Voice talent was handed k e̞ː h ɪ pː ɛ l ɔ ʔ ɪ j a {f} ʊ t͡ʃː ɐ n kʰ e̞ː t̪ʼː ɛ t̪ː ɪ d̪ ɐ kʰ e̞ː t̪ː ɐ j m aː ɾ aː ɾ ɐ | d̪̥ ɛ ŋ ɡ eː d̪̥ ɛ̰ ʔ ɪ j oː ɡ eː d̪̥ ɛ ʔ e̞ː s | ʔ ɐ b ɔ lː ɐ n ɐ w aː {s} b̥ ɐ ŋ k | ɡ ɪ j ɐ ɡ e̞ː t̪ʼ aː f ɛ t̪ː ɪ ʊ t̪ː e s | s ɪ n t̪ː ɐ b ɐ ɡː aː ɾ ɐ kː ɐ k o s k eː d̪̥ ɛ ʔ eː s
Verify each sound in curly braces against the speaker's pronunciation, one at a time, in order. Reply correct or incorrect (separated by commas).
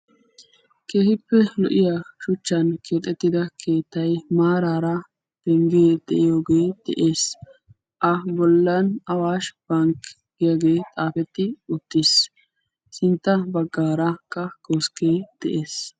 incorrect, incorrect